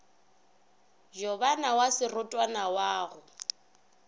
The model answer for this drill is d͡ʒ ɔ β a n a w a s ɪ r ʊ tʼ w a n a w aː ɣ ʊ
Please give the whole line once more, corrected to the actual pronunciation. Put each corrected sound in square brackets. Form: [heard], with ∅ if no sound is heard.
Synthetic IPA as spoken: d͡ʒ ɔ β a n a w a s ɪ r ʊ tʼ w a n a w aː ɣ ʊ